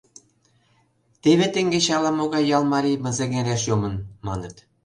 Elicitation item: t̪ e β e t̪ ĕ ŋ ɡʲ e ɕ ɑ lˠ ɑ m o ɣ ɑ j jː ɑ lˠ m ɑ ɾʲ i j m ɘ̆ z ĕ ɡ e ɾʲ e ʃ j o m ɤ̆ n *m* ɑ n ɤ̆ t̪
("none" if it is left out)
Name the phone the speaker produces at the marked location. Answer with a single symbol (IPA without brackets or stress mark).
m